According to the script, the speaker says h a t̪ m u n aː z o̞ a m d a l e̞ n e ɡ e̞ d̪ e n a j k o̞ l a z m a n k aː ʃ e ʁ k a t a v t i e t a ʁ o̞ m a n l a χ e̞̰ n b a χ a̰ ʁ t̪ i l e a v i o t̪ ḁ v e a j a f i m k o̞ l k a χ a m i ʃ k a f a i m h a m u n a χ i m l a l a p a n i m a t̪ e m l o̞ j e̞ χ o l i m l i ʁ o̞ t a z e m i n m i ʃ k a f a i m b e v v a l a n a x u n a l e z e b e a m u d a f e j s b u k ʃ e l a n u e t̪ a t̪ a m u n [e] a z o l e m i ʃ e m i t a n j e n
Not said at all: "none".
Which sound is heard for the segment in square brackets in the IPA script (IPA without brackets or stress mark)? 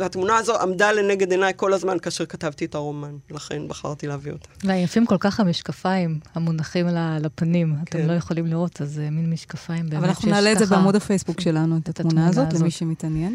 a